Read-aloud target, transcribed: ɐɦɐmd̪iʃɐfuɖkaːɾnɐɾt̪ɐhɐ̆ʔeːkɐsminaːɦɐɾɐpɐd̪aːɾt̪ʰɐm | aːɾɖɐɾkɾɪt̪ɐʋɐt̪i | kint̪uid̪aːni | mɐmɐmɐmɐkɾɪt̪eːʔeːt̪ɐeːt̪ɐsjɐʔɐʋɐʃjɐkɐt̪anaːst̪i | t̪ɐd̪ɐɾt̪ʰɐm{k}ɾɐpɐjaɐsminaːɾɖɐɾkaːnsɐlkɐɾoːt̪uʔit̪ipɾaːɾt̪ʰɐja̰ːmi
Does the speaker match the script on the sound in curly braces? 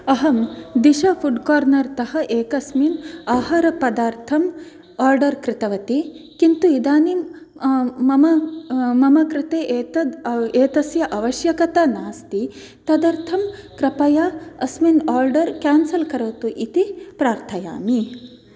yes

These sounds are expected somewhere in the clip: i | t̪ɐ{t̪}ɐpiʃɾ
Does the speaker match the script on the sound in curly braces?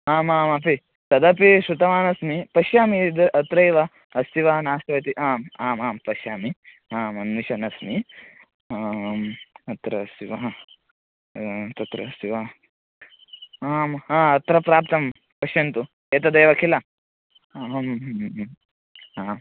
no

